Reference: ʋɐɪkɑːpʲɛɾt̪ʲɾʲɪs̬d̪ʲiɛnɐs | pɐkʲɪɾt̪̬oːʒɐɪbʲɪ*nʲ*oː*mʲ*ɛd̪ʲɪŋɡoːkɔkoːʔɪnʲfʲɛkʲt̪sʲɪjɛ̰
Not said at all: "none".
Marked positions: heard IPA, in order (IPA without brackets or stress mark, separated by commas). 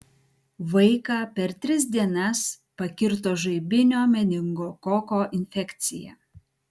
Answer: nʲ, mʲ